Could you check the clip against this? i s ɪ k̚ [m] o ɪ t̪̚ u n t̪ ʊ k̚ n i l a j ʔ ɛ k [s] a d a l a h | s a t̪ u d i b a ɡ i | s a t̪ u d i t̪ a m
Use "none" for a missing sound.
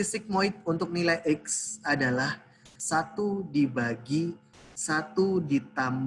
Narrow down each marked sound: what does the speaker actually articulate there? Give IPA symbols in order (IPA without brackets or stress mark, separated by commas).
m, s